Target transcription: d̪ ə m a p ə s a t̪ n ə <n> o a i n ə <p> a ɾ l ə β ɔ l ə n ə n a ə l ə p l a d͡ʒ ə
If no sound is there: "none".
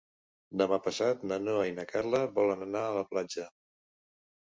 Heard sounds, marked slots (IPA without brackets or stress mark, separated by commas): n, k